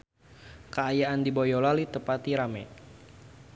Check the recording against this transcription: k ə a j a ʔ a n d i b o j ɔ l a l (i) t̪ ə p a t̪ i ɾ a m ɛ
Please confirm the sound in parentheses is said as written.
yes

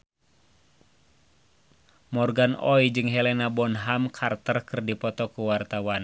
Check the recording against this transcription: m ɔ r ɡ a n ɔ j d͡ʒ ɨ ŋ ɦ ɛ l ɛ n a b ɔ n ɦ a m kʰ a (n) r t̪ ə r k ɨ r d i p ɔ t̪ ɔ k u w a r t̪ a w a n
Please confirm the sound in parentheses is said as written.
no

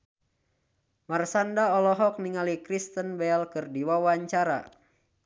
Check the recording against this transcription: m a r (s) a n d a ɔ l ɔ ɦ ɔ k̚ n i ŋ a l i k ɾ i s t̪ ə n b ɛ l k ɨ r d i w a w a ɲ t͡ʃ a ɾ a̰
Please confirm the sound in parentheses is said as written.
yes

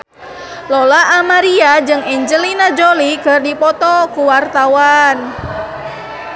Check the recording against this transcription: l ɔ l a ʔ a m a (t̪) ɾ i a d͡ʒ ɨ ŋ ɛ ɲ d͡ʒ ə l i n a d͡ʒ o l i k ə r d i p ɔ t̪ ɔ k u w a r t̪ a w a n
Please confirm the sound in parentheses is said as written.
no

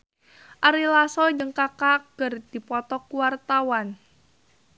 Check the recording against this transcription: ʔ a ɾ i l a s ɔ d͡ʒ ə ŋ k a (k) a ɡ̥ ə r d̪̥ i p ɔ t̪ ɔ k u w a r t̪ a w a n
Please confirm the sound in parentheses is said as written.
yes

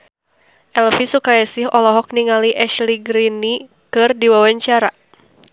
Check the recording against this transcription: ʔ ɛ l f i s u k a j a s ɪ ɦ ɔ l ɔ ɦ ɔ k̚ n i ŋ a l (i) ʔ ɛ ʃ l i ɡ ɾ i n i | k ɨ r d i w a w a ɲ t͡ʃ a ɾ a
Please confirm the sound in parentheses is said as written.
yes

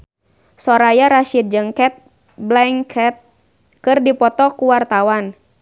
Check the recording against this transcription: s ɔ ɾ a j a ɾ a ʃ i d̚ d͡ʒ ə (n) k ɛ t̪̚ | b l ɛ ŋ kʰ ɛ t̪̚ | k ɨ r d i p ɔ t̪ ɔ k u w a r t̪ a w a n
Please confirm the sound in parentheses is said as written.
no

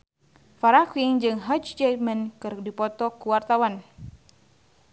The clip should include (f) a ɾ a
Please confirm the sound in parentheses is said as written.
yes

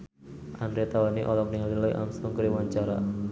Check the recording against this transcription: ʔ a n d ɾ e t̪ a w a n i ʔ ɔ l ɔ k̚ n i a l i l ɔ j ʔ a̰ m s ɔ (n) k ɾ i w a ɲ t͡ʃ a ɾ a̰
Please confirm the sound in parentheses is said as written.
no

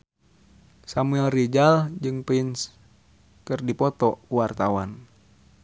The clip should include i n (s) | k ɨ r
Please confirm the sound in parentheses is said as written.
yes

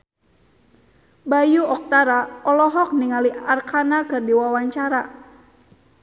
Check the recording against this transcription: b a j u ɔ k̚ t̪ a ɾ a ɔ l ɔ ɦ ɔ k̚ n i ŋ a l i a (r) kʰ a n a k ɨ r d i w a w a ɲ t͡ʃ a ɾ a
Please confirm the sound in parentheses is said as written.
yes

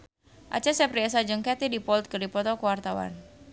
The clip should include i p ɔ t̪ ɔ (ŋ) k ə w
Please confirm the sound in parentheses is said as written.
no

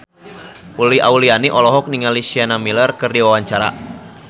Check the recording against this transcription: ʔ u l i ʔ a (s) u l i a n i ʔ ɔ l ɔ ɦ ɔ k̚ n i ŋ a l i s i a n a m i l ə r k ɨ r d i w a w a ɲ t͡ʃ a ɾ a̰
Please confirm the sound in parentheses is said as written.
no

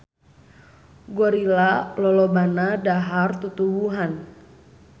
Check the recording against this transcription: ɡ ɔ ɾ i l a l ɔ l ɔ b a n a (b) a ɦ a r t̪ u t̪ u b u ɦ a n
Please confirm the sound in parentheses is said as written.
no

